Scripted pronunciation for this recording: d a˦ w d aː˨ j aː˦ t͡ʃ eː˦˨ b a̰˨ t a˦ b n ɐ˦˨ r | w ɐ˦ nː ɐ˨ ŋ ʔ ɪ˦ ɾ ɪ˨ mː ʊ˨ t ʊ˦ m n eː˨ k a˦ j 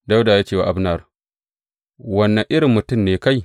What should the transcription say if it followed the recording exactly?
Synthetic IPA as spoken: d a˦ w d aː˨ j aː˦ t͡ʃ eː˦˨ w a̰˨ ʔ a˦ b n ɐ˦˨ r | w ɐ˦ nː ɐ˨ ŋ ʔ ɪ˦ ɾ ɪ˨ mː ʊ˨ t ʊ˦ m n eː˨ k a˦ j